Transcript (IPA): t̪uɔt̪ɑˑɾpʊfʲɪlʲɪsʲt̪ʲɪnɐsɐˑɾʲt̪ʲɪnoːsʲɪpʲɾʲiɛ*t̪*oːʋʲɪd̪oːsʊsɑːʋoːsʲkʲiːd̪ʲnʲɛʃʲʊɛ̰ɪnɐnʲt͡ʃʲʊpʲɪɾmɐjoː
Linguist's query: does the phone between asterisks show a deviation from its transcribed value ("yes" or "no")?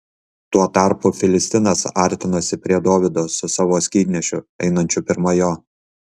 yes